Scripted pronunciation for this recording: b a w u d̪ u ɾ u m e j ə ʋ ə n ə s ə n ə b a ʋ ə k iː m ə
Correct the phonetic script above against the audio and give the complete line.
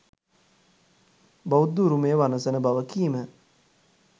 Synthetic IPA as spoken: b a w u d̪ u ɾ u m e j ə ʋ a n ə s ə n ə b a ʋ ə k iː m ə